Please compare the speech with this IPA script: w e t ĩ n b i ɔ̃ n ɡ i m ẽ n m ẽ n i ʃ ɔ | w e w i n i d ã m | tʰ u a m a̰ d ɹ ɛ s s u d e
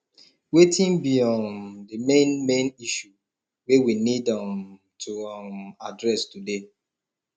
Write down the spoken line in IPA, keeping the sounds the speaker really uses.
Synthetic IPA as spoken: w e t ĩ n b i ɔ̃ n d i m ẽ n m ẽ n i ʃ u | w e w i n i d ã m | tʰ u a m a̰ d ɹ ɛ s t u d e

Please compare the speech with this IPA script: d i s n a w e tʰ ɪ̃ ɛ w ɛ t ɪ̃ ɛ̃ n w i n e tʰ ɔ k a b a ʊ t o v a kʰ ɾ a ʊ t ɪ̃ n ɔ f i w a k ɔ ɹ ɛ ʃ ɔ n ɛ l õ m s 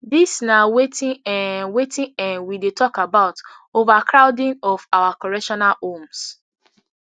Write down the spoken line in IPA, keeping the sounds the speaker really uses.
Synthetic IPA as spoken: d i s n a w e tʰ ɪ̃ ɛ w e t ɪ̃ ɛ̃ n w i d e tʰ ɔ k a b a ʊ t o v a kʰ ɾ a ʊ d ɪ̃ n ɔ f a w a k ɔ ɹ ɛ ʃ ɔ n a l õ m s

